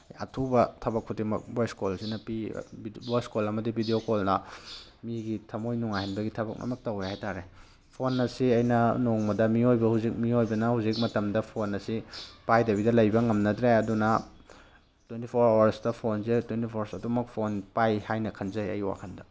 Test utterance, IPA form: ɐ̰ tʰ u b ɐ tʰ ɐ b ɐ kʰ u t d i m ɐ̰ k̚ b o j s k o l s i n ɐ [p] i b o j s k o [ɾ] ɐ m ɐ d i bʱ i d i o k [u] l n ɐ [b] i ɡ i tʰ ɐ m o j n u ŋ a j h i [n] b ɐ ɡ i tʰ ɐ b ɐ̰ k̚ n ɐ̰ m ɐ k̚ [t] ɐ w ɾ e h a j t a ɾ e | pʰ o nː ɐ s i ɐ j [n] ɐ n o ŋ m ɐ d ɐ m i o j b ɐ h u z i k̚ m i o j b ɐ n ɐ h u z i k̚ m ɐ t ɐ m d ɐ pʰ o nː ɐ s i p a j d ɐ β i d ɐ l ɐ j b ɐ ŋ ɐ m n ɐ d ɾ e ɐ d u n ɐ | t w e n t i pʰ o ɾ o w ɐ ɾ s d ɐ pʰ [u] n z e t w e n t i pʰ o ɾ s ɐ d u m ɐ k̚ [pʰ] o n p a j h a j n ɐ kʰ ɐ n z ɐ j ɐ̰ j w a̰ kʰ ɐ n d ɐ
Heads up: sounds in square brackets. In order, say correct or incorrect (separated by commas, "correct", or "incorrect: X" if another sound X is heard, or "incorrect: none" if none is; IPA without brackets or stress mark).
correct, incorrect: l, incorrect: o, incorrect: m, correct, correct, correct, incorrect: o, correct